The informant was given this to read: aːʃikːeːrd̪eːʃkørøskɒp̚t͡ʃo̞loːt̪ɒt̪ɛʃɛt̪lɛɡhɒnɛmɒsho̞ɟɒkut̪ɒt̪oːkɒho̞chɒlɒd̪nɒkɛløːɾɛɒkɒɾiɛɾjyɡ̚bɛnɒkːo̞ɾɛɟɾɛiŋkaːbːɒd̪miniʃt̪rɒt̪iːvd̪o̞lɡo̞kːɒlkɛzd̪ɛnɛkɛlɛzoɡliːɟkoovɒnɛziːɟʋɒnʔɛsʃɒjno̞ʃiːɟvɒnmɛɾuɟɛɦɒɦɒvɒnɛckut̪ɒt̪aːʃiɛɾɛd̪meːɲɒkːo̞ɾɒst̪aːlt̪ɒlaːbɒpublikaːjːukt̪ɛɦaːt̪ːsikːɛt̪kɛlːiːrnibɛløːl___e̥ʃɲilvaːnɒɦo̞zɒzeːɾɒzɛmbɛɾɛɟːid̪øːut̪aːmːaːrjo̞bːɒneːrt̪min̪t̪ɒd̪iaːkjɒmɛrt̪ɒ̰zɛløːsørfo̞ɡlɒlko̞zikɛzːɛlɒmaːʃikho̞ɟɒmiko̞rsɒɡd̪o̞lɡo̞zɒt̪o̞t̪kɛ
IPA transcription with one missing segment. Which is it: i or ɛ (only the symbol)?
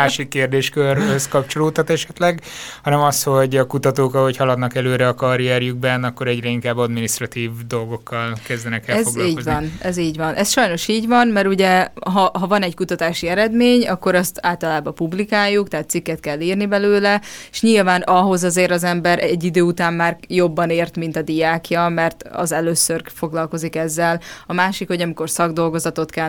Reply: ɛ